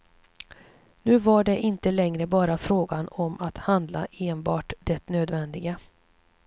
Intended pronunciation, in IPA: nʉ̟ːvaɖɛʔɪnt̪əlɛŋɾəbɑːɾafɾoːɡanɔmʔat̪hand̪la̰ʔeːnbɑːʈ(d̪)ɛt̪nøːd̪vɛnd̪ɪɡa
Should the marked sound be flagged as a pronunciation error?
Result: no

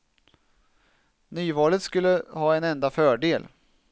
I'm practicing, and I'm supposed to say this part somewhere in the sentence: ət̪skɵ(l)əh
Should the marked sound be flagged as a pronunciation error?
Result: yes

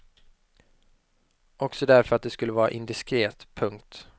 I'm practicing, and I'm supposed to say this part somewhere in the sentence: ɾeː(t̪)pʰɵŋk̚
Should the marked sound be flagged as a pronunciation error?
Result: no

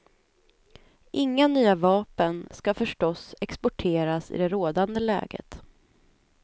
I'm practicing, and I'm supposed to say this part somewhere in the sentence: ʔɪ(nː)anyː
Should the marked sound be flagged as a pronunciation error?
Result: yes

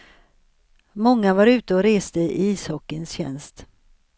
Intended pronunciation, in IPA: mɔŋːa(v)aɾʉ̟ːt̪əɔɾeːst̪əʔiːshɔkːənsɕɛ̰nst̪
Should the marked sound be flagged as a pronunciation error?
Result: no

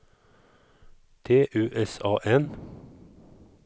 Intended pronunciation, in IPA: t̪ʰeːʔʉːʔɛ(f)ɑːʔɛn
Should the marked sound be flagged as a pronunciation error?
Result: yes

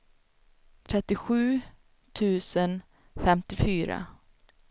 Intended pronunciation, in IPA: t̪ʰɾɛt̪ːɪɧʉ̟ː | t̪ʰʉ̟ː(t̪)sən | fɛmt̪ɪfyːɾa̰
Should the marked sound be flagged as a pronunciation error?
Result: yes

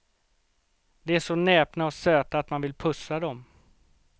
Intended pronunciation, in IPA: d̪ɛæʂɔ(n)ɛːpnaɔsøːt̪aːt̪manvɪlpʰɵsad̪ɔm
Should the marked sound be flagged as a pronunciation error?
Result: no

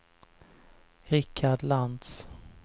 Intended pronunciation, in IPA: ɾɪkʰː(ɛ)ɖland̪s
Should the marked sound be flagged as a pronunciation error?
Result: yes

